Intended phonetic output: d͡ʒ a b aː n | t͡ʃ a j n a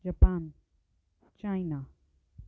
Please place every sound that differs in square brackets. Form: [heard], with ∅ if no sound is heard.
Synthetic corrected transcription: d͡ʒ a [p] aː n | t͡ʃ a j n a